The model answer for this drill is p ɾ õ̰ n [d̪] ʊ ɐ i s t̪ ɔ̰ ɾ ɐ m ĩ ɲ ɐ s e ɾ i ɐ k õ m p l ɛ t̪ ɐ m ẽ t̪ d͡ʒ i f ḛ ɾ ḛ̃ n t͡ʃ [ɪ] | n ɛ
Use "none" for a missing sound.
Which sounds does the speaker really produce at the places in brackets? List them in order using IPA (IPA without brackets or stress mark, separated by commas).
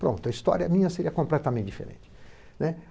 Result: t̪, ɪ